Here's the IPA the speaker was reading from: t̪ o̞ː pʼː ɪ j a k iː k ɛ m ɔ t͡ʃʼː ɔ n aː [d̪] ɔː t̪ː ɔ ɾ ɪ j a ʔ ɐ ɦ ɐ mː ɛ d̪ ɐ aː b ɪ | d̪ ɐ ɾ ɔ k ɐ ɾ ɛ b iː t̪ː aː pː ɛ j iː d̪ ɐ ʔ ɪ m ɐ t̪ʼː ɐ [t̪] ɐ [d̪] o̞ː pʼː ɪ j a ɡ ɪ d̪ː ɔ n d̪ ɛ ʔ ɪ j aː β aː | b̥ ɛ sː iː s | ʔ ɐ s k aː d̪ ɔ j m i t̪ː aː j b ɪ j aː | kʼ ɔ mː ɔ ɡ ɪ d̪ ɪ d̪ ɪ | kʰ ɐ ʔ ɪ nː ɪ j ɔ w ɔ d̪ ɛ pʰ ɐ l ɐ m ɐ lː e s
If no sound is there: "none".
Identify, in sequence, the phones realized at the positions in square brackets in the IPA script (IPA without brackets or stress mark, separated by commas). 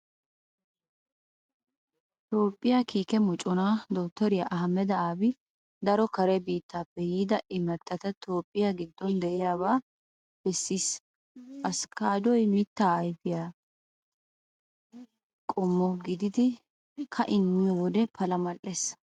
d̪, t̪, t̪